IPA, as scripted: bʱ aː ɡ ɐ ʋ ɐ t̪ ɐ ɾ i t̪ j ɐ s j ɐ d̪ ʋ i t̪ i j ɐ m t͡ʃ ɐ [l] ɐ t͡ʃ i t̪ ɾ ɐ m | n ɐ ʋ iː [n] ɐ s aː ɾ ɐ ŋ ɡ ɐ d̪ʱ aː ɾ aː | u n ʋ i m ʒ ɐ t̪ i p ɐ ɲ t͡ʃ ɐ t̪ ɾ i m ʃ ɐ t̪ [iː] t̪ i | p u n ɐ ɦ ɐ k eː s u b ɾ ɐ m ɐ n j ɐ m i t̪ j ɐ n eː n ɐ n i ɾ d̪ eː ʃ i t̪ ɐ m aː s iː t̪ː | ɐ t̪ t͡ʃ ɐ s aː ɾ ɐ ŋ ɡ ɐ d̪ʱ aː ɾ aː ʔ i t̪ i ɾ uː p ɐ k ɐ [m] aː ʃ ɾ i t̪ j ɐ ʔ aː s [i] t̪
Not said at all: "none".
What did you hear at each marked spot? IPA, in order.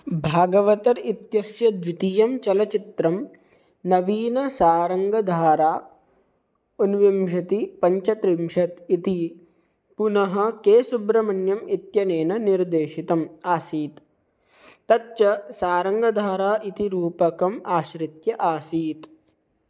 l, n, i, m, iː

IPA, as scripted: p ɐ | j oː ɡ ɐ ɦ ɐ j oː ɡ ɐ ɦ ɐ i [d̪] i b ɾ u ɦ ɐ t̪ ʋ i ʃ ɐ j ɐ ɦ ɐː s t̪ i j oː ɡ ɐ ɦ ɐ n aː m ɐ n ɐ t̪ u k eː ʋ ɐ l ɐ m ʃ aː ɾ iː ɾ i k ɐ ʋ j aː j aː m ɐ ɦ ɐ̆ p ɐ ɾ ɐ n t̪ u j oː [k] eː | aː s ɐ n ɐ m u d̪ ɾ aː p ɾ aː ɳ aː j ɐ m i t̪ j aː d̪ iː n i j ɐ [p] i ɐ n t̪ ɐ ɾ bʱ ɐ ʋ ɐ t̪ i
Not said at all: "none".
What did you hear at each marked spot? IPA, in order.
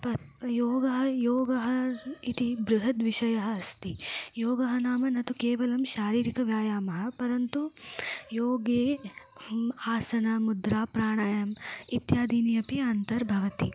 t̪, ɡ, p

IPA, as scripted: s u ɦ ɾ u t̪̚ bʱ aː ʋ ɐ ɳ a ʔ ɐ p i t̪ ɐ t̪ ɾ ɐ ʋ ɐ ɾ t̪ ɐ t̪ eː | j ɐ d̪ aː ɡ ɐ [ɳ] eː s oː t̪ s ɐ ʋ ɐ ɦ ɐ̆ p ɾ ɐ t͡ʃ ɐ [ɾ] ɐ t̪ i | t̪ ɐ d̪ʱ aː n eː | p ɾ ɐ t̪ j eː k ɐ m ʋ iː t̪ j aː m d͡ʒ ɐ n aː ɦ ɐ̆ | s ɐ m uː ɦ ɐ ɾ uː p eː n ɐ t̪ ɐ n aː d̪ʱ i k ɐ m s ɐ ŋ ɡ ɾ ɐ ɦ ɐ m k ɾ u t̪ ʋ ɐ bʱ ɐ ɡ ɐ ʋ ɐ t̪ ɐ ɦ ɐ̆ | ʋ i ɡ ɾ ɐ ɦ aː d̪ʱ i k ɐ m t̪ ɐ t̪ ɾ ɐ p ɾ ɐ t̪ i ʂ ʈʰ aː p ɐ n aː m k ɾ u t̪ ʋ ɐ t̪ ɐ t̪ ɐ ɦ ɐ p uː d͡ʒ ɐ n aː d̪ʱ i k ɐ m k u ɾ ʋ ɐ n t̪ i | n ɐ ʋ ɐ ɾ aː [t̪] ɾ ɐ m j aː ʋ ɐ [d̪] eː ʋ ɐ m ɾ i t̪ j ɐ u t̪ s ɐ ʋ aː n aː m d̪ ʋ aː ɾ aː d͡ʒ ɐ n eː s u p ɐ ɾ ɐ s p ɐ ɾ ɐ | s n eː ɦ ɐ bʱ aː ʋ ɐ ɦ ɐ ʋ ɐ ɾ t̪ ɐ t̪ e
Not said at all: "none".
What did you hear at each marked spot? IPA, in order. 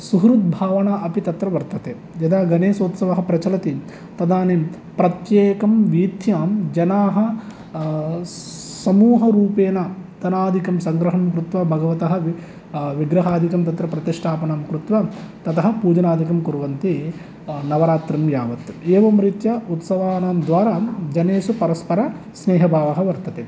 n, l, t̪, t̪

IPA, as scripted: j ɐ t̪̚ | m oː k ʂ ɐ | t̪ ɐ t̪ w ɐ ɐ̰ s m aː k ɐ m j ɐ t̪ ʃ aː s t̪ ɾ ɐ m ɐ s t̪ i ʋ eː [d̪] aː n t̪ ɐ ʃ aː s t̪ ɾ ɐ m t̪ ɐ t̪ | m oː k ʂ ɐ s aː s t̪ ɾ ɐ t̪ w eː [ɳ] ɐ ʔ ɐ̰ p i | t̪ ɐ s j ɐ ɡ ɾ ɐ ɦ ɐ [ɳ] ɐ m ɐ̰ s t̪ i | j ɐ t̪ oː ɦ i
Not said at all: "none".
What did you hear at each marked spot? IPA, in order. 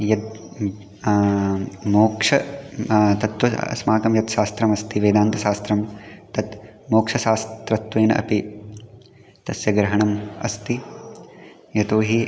d̪, n, ɳ

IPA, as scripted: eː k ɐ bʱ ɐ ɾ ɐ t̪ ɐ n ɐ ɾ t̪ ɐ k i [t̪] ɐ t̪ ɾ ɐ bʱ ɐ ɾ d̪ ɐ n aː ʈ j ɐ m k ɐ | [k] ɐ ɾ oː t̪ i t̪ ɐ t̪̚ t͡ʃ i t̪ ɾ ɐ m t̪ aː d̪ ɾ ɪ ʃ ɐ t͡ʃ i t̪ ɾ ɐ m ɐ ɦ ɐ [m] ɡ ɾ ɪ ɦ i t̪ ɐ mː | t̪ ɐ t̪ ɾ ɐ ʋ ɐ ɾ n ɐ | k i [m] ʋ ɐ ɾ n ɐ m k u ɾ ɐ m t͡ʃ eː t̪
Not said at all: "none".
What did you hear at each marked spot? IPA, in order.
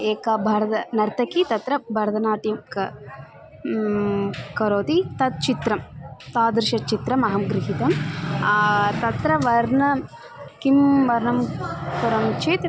t̪, k, m, m

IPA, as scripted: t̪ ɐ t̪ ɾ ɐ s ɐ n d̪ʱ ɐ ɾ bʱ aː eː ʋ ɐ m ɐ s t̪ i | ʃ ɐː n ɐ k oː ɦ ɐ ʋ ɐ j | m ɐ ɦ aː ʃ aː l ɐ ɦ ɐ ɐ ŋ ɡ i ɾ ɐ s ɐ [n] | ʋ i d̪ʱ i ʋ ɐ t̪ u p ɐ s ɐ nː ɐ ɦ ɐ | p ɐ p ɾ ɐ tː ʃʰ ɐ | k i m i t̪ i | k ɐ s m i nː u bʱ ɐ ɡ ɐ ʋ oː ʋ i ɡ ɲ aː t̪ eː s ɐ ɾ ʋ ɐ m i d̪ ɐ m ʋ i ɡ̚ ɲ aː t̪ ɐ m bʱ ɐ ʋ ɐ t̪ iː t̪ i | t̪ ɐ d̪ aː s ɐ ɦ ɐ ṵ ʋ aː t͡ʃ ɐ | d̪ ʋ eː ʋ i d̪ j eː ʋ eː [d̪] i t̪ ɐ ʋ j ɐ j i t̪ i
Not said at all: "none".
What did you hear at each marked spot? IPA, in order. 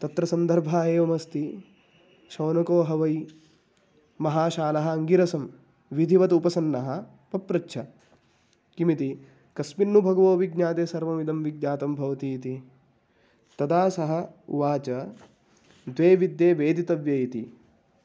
m, d̪

